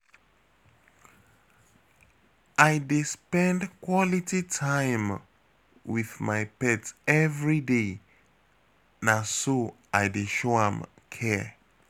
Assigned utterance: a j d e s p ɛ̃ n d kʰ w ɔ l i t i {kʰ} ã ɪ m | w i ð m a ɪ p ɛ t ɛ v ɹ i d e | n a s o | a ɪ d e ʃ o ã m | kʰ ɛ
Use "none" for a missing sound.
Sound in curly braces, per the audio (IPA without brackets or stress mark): tʰ